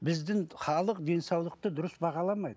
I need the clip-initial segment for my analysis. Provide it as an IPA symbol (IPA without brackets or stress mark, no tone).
b